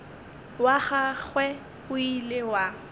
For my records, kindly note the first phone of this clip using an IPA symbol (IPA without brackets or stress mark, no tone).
w